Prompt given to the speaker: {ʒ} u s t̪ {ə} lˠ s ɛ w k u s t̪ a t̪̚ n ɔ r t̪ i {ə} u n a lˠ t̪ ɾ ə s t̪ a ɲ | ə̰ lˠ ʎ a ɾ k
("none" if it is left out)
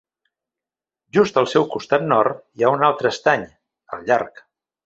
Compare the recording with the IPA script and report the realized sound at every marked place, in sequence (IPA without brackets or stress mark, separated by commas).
ʒ, ə, a